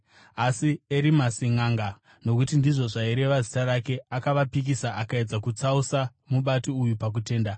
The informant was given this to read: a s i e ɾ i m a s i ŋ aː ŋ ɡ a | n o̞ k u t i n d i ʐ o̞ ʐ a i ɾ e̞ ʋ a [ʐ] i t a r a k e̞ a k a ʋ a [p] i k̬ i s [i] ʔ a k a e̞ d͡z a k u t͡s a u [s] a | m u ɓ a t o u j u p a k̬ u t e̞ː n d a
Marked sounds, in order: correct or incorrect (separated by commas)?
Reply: incorrect, correct, incorrect, correct